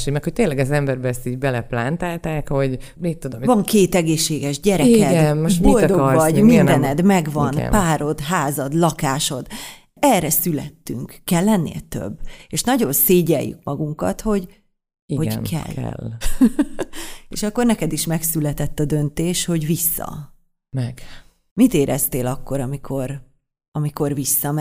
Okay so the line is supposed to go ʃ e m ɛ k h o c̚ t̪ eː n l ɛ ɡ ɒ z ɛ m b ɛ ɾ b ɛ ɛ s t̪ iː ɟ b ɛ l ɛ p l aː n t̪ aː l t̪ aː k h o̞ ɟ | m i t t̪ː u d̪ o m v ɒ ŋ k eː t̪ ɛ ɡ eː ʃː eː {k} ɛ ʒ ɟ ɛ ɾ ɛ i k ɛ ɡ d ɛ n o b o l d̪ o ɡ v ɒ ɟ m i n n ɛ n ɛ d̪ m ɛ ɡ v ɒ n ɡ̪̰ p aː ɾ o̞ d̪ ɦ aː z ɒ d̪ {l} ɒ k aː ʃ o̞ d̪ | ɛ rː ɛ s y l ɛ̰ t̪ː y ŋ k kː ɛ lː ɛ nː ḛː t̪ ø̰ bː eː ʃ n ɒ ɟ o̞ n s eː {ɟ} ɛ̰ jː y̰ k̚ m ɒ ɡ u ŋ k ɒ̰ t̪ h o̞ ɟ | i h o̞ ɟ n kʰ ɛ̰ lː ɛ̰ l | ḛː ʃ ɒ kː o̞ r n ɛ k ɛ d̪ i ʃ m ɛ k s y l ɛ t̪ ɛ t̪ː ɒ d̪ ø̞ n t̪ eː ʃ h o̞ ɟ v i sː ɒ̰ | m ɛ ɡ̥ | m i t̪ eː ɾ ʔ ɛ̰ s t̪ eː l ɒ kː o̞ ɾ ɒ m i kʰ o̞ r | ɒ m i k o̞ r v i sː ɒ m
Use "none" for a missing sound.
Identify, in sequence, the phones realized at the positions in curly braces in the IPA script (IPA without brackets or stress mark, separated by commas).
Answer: ɡ, l, ɟ